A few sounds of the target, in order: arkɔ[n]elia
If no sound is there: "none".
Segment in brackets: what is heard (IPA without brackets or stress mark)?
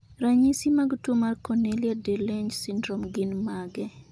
n